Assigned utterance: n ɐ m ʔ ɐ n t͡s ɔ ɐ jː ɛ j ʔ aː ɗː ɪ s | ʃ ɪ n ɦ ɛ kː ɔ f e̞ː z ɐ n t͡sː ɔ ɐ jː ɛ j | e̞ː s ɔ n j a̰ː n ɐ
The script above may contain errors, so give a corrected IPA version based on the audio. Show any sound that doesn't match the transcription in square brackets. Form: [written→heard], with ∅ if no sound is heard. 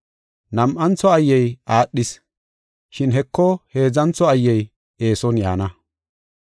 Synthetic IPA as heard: n ɐ m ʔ ɐ n t͡s ɔ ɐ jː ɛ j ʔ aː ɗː ɪ s | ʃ ɪ n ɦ ɛ kː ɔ [f→h] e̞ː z ɐ n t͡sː ɔ ɐ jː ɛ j | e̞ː s ɔ n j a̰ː n ɐ